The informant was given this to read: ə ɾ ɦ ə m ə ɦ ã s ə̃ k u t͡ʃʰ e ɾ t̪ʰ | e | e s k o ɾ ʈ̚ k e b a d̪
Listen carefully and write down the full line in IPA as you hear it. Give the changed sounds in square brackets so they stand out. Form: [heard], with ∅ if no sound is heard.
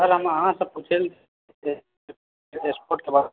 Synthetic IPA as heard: ə ɾ ɦ ə m ə ɦ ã s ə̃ [p] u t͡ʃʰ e [l] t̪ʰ | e | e s [p] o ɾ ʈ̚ k e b a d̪